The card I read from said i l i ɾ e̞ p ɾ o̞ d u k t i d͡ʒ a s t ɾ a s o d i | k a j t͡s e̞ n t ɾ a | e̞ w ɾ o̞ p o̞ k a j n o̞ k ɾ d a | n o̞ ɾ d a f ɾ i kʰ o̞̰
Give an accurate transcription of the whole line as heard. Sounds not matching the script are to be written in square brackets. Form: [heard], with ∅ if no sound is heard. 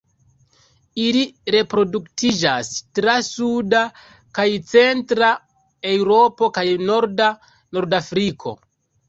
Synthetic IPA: i l i ɾ e̞ p ɾ o̞ d u k t i d͡ʒ a s t ɾ a s [u] d [a] | k a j t͡s e̞ n t ɾ a | e̞ w ɾ o̞ p o̞ k a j n o̞ [∅] ɾ d a | n o̞ ɾ d a f ɾ i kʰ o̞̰